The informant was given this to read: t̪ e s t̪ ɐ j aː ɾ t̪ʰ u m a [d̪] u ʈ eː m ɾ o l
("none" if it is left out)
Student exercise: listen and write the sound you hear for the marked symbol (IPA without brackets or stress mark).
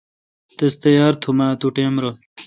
t̪